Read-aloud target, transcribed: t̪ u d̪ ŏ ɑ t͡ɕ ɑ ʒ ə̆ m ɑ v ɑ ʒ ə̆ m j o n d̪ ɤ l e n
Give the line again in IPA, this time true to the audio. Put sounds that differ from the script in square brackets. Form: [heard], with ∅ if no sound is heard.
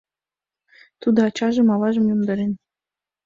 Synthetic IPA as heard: t̪ u d̪ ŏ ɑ t͡ɕ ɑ ʒ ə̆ m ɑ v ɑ ʒ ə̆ m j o [m] d̪ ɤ [ɾ] e n